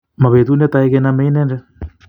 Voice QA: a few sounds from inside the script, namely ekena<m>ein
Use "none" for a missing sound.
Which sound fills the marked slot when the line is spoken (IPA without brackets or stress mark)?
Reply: m